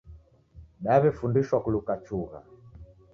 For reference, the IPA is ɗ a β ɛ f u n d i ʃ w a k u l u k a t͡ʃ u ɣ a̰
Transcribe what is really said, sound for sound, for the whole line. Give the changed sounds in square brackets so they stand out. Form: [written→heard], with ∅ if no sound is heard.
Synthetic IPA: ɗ a β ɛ f u n d i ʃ w a k u l u k a t͡ʃ u ɣ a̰